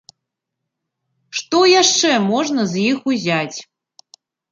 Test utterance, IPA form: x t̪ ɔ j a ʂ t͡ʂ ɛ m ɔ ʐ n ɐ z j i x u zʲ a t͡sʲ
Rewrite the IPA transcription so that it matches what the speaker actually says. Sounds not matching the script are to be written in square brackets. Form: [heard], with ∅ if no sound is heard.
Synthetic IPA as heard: [ʂ] t̪ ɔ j a ʂ t͡ʂ ɛ m ɔ ʐ n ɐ z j i x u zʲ a t͡sʲ